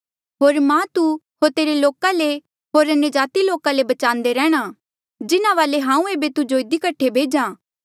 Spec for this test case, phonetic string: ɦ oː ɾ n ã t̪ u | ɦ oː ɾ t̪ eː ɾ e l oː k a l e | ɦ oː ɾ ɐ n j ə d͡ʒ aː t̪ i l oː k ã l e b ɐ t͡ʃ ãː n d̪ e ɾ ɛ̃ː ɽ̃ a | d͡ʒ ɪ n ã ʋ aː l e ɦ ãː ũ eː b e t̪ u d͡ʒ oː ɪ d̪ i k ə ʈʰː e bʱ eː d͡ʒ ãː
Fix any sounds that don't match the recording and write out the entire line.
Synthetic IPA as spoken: ɦ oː ɾ m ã t̪ u | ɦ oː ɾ t̪ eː ɾ e l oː k a l e | ɦ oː ɾ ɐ n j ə d͡ʒ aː t̪ i l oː k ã l e b ɐ t͡ʃ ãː n d̪ e ɾ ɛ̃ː ɽ̃ a | d͡ʒ ɪ n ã ʋ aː l e ɦ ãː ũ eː b e t̪ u d͡ʒ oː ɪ d̪ i k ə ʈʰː e bʱ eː d͡ʒ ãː

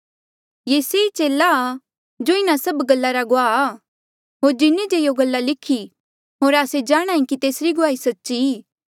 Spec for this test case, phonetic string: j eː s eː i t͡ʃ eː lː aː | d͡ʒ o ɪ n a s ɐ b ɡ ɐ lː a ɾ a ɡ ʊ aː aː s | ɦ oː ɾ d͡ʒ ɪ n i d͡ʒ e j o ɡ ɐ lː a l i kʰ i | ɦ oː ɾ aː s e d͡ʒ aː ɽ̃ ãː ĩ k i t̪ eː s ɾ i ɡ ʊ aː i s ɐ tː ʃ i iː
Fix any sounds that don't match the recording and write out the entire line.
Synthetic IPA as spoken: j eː s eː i t͡ʃ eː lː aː | d͡ʒ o ɪ n a s ɐ b ɡ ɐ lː a ɾ a ɡ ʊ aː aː | ɦ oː ɾ d͡ʒ ɪ n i d͡ʒ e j o ɡ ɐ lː a l ɪ kʰ i | ɦ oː ɾ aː s e d͡ʒ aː ɽ̃ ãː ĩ k i t̪ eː s ɾ i ɡ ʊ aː i s ɐ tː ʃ i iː

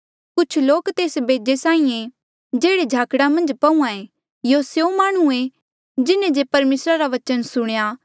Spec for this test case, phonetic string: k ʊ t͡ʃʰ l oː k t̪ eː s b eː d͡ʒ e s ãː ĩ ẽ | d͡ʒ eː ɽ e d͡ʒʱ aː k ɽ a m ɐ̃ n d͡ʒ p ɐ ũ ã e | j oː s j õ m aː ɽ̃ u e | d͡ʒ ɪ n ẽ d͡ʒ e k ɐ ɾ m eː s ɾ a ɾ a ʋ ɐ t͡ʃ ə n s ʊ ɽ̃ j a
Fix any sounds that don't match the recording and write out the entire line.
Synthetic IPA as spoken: k ʊ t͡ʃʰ l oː k t̪ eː s b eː d͡ʒ e s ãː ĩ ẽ | d͡ʒ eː ɽ e d͡ʒʱ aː k ɽ a m ɐ̃ n d͡ʒ p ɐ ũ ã e | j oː s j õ m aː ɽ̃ u e | d͡ʒ ɪ n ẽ d͡ʒ e p ɐ ɾ m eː s ɾ a ɾ a ʋ ɐ t͡ʃ ə n s ʊ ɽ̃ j a

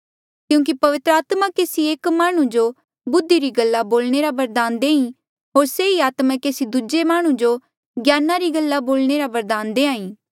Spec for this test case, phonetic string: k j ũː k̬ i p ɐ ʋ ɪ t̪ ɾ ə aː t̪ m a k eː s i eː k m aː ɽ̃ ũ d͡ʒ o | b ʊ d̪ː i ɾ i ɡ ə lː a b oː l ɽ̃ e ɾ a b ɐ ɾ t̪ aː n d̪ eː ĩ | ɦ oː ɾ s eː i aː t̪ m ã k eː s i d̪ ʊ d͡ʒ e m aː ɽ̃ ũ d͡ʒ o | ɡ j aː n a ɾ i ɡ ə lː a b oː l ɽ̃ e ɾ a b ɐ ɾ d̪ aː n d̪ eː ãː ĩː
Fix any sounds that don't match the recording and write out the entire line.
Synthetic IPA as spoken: k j ũː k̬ i p ɐ ʋ ɪ t̪ ɾ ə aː t̪ m a k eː s i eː k m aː ɽ̃ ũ d͡ʒ o | b ʊ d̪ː i ɾ i ɡ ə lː a b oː l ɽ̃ e ɾ a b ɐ ɾ d̪ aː n d̪ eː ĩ | ɦ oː ɾ s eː i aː t̪ m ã k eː s i d̪ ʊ d͡ʒ e m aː ɽ̃ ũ d͡ʒ o | ɡ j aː n a ɾ i ɡ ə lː a b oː l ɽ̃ e ɾ a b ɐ ɾ d̪ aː n d̪ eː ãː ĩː

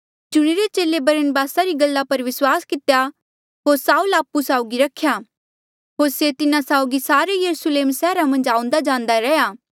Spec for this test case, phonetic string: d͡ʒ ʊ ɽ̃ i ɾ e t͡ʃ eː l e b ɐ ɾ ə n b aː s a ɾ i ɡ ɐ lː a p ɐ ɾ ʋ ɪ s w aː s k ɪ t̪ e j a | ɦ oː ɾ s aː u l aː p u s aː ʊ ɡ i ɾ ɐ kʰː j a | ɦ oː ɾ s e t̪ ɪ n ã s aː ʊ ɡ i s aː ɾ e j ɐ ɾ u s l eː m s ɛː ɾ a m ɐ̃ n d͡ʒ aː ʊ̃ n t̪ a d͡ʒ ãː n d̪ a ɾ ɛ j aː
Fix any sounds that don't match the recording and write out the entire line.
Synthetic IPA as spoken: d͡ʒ ʊ ɽ̃ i ɾ e t͡ʃ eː l e b ɐ ɾ ə n b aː s a ɾ i ɡ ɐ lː a p ɐ ɾ ʋ ɪ s w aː s k ɪ t̪ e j a | ɦ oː ɾ s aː u l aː p u s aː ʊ ɡ i ɾ ɐ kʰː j a | ɦ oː ɾ s e t̪ ɪ n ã s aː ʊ ɡ i s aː ɾ e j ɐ ɾ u s l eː m s ɛː ɾ a m ɐ̃ n d͡ʒ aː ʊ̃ n d̪ a d͡ʒ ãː n d̪ a ɾ ɛ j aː

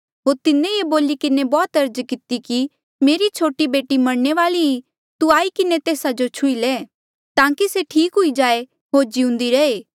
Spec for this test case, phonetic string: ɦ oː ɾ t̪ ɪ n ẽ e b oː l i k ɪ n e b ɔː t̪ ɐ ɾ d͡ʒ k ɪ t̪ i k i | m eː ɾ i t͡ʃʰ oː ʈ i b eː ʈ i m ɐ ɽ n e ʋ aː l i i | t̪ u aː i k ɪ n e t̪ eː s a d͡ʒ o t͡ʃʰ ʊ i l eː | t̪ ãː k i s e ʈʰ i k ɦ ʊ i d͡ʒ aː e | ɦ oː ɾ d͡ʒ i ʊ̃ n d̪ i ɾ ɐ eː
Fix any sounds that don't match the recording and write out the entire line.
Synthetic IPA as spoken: ɦ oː ɾ t̪ ɪ n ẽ e b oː l i k ɪ n e b ɔː t̪ ɐ ɾ d͡ʒ k ɪ t̪ i k i | m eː ɾ i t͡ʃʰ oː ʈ i b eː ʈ i m ɐ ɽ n e ʋ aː l i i | t̪ u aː i k ɪ n e t̪ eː s a d͡ʒ o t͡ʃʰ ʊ i l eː | t̪ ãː k i s e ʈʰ iː k ɦ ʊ i d͡ʒ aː e | ɦ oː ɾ d͡ʒ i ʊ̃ n d̪ i ɾ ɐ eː

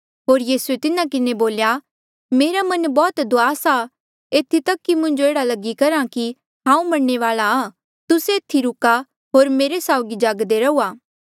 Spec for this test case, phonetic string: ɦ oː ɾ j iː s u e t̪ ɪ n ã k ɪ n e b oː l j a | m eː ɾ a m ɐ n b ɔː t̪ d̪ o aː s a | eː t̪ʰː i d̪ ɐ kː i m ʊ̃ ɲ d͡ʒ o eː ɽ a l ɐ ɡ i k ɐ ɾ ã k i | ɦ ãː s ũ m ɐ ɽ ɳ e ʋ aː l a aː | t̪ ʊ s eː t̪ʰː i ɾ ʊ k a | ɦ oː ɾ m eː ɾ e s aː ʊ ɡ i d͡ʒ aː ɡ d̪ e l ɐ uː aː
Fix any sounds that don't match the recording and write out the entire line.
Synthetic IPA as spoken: ɦ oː ɾ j iː s u e t̪ ɪ n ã k ɪ n e b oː l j a | m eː ɾ a m ɐ n b ɔː t̪ d̪ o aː s a | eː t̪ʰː i t̪ ɐ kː i m ʊ̃ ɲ d͡ʒ o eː ɽ a l ɐ ɡ i k ɐ ɾ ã k i | ɦ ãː ũ m ɐ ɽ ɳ e ʋ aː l a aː | t̪ ʊ s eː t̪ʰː i ɾ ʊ k a | ɦ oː ɾ m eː ɾ e s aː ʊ ɡ i d͡ʒ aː ɡ d̪ e ɾ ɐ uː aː

